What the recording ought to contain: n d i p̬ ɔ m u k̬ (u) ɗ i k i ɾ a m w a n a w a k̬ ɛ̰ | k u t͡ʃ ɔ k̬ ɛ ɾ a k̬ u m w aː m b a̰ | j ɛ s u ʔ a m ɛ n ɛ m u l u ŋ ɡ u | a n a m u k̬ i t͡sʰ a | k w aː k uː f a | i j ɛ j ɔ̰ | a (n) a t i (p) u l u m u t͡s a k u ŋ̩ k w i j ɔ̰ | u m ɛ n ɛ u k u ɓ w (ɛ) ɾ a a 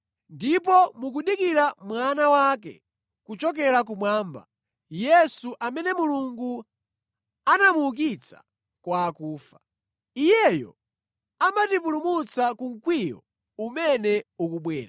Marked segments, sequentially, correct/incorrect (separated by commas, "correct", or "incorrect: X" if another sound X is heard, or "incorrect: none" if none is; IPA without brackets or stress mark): correct, incorrect: m, correct, incorrect: ɛː